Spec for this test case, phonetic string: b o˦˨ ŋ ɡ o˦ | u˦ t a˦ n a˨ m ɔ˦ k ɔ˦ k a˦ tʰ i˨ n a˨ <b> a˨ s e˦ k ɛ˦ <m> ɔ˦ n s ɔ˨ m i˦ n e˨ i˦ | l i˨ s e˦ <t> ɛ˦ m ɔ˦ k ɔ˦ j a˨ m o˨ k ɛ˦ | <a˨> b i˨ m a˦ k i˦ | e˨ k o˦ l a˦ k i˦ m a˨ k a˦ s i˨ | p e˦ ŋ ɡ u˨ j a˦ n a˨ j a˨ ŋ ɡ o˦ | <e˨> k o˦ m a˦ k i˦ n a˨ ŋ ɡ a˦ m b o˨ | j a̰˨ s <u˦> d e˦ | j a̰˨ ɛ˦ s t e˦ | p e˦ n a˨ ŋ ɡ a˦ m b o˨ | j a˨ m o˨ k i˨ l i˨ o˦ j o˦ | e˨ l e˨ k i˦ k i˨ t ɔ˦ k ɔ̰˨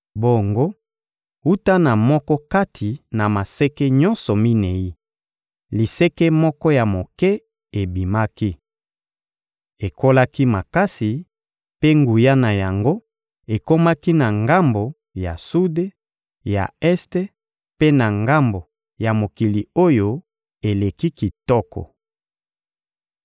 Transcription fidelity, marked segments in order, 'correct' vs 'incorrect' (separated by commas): incorrect, incorrect, incorrect, incorrect, correct, correct